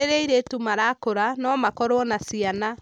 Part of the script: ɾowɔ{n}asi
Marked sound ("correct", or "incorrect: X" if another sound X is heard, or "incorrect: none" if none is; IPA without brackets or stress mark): correct